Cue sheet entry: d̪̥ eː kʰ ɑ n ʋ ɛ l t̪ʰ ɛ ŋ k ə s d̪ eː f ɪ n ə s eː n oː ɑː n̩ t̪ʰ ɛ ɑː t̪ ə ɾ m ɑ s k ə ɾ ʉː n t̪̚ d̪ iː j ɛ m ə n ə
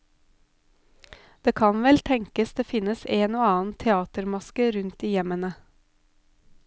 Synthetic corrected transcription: d̪̥ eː kʰ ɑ n ʋ ɛ l t̪ʰ ɛ ŋ k ə s d̪ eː f ɪ n ə s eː n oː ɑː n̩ t̪ʰ ɛ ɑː t̪ ə ɾ m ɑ s k ə ɾ ʉ n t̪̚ d̪ iː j ɛ m ə n ə